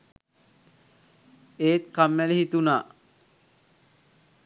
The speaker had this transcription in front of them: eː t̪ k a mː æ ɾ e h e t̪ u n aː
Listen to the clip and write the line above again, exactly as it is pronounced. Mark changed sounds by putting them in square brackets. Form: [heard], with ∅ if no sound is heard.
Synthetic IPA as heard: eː t̪ k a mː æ [l] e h [i] t̪ u n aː